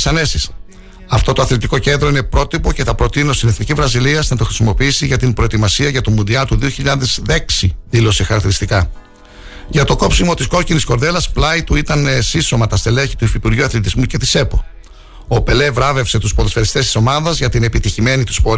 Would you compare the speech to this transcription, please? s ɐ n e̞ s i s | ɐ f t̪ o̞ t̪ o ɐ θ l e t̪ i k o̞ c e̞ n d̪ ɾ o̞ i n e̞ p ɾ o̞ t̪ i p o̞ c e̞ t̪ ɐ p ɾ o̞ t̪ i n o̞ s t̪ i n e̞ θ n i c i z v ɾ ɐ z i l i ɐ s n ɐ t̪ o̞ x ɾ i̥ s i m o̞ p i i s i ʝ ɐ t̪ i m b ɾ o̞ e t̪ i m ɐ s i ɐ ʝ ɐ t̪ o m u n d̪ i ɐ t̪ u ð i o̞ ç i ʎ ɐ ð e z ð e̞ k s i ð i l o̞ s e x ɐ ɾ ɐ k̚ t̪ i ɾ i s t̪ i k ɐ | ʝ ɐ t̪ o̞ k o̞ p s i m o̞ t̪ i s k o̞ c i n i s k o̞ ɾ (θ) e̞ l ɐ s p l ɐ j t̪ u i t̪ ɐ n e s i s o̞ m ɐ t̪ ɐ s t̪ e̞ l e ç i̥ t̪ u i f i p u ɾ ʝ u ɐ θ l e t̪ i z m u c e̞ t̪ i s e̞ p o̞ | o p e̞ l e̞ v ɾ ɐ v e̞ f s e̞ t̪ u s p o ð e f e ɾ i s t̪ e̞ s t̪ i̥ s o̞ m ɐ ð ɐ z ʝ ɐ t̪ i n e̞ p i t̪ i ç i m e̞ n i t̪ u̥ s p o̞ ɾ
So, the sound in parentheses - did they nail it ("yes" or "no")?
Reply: no